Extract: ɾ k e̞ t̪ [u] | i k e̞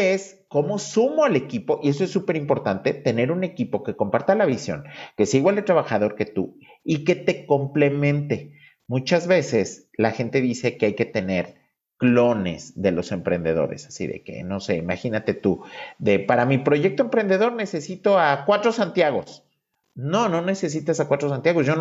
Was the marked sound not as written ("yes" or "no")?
no